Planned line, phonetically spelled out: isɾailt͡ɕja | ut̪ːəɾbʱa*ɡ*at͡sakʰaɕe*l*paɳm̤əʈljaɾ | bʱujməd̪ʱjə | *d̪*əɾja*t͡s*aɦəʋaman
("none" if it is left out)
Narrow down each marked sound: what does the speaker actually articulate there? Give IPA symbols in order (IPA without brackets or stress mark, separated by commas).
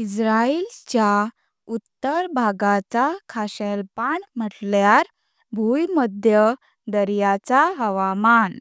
ɡ, l, d̪, t͡s